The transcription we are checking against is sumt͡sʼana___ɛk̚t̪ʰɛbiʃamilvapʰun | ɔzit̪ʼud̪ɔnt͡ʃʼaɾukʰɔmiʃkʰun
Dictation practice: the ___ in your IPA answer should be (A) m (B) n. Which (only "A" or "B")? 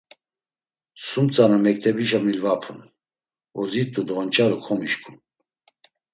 A